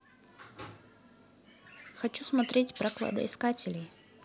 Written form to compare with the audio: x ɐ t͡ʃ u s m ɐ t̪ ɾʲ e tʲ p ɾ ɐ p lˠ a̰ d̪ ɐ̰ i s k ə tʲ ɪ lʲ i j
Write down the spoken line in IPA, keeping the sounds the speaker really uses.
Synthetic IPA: x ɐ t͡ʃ u s m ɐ t̪ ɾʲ e tʲ p ɾ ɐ k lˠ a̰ d̪ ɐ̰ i s k a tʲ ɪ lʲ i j